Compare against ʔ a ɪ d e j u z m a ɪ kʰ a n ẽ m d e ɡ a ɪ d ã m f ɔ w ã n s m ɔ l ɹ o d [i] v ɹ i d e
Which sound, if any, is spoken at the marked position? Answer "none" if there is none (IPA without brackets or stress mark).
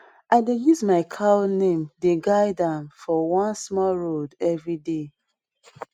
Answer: ɛ